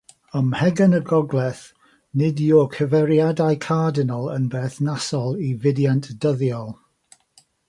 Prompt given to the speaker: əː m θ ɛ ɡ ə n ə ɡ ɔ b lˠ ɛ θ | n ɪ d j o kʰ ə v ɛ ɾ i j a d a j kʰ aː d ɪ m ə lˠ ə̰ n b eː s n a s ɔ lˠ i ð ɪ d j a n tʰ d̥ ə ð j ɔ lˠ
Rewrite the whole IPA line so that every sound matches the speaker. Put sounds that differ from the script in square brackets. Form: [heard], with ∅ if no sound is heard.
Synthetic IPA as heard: [ə] m [h] ɛ ɡ ə n ə ɡ ɔ [ɡ] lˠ ɛ θ | n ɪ d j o kʰ ə v ɛ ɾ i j a d a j kʰ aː d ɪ [n] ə lˠ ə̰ n b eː [θ] n a s ɔ lˠ i [v] ɪ d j a n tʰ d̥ ə ð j ɔ lˠ